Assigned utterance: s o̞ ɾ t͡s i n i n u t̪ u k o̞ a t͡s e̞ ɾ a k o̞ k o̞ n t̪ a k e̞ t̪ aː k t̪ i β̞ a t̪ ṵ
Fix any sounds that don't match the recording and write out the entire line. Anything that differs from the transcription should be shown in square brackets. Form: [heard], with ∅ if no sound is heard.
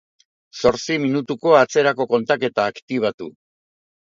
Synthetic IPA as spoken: s o̞ ɾ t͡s i [m] i n u t̪ u k o̞ a t͡s e̞ ɾ a k o̞ k o̞ n t̪ a k e̞ t̪ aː k t̪ i β̞ a t̪ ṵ